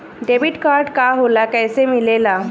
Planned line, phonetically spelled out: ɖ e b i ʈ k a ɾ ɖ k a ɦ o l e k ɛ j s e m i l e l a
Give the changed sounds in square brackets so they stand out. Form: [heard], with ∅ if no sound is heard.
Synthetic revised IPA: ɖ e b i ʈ k a ɾ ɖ k a ɦ o l [a] k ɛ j s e m i l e l a